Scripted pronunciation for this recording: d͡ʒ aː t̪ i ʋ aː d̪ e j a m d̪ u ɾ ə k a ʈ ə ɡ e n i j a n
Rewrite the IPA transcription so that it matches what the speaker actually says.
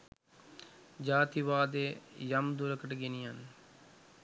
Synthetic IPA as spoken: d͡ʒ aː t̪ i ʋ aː d̪ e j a m d̪ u ɾ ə k ə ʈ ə ɡ e n i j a n

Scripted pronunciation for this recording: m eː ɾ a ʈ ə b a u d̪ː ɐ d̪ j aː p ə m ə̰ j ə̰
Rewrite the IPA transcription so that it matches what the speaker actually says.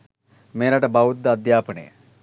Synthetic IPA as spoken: m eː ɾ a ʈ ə b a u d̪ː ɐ d̪ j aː p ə n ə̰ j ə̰

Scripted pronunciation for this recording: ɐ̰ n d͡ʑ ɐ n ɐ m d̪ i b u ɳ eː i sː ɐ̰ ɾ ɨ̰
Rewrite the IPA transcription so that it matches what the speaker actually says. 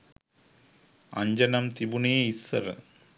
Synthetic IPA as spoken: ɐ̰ ɲ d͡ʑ ɐ n ɐ m t̪ i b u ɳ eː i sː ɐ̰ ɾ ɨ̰

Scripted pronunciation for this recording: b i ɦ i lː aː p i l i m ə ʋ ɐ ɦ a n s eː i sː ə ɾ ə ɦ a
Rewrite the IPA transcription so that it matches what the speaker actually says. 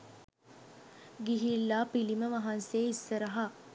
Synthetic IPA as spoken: ɡ i ɦ i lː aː p i l i m ə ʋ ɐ ɦ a n s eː i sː ə ɾ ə ɦ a

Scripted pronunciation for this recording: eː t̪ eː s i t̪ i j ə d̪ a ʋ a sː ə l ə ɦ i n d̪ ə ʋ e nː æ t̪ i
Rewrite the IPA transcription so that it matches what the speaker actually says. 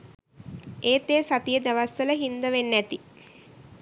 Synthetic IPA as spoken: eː t̪ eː s a t̪ i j ə d̪ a ʋ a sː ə l ə ɦ i n d̪ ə ʋ e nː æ t̪ i

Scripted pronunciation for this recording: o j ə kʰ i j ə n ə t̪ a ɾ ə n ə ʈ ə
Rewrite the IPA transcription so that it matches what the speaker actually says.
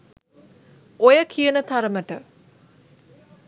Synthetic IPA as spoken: o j ə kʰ i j ə n ə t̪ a ɾ ə m ə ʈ ə

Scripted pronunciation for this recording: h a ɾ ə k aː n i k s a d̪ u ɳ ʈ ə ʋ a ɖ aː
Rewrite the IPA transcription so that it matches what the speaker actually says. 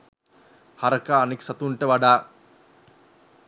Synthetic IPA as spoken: h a ɾ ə k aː n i k s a t̪ u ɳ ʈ ə ʋ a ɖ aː

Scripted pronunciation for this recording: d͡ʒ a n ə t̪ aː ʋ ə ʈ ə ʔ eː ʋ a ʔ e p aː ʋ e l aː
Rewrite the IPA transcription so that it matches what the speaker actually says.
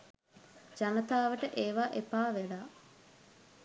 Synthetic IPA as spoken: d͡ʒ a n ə t̪ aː ʋ ə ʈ ə ʔ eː ʋ a ʔ e p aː ʋ e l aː

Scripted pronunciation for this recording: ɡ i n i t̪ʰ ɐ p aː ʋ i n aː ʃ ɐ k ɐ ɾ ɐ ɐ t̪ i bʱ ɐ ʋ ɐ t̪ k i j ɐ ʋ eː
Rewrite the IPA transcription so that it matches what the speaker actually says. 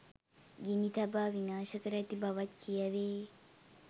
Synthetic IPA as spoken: ɡ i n i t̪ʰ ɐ b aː ʋ i n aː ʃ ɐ k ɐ ɾ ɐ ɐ t̪ i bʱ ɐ ʋ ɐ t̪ k i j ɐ ʋ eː

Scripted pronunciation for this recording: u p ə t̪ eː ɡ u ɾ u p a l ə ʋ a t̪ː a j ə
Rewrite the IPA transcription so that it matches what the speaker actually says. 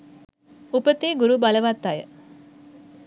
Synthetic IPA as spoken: u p ə t̪ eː ɡ u ɾ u b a l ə ʋ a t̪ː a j ə

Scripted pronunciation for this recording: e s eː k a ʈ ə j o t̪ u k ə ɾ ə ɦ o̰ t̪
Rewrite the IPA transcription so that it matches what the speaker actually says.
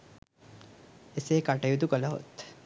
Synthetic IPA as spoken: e s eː k a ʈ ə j u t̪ u k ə l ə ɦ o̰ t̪

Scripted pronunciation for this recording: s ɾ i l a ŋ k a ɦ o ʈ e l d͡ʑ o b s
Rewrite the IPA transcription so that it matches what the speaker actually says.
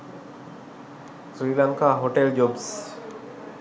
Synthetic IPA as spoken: s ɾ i l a ŋ k a ɦ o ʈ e l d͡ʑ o b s

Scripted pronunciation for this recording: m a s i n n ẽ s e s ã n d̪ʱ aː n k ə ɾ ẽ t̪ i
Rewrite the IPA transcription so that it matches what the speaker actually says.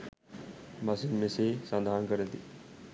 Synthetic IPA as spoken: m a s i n m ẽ s e s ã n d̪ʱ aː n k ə ɾ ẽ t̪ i

